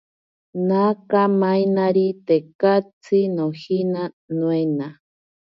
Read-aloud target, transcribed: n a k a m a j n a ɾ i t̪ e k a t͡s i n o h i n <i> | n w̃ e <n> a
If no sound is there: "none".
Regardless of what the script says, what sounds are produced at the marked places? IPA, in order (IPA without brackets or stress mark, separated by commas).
a, n